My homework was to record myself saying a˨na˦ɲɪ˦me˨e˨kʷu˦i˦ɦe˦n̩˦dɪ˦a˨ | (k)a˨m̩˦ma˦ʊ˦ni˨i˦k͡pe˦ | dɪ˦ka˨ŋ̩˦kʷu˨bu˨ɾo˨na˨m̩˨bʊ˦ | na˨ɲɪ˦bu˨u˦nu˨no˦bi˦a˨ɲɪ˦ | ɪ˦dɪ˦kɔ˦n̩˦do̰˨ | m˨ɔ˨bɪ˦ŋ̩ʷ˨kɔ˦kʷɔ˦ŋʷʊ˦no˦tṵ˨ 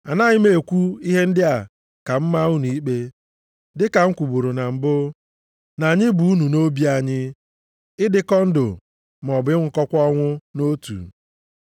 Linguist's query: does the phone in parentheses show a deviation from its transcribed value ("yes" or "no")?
no